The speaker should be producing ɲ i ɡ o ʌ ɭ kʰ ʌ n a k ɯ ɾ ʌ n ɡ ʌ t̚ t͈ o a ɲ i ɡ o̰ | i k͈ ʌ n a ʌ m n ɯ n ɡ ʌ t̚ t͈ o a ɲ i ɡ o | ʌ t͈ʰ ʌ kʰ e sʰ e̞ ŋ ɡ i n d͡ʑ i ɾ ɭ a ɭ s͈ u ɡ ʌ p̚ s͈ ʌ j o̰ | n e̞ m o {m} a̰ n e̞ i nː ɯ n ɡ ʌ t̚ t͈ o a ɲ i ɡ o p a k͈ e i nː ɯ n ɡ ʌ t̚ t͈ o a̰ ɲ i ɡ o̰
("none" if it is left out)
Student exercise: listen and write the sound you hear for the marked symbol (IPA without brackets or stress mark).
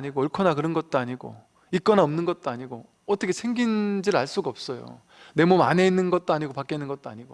m